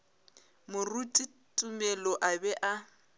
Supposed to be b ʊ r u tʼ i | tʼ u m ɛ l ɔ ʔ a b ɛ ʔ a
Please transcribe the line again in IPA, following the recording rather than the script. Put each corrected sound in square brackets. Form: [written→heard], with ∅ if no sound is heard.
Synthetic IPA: [b→m] ʊ r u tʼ i | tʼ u m ɛ l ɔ ʔ a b ɛ ʔ a